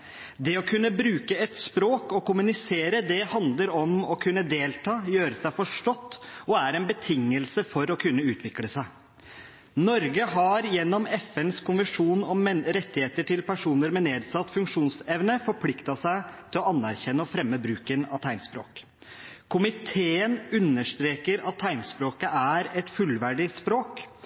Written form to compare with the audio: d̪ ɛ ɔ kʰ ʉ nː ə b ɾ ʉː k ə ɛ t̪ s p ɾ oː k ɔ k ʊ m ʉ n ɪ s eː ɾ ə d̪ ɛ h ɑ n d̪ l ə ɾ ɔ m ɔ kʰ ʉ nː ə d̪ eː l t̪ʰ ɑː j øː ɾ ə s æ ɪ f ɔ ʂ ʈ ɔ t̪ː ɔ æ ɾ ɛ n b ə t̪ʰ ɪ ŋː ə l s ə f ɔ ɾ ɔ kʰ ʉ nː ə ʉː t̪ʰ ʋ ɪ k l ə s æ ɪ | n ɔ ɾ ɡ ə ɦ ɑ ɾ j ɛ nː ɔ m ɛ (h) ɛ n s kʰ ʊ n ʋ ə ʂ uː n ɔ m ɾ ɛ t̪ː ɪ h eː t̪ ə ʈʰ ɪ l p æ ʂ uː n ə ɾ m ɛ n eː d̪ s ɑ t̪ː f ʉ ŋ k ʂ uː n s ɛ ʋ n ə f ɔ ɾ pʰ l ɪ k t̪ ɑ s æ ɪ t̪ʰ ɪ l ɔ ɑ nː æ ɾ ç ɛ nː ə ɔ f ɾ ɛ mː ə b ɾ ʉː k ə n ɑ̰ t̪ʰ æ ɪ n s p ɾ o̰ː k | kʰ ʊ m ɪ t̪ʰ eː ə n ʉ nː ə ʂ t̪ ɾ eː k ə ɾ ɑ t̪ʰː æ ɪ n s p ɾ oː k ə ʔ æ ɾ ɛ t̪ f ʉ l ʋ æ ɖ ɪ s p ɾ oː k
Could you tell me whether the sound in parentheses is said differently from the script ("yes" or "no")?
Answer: yes